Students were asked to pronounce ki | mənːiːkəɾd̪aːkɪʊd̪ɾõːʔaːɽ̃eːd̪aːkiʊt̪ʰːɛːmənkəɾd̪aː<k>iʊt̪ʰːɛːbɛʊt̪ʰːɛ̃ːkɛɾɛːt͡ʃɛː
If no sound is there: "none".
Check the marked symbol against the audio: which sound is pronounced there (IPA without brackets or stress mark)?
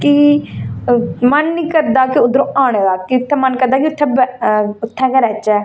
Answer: k